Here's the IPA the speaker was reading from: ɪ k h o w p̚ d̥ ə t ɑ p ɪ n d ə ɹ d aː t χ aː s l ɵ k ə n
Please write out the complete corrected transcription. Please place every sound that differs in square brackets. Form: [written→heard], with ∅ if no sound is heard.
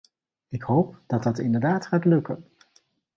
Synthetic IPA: ɪ k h o w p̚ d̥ [ə→ɑ] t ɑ [p→t] ɪ n d ə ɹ d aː t χ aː [s→t] l ɵ k ə n